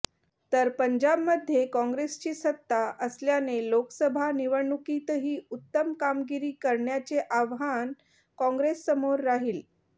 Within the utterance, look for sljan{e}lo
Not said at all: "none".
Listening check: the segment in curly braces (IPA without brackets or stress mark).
e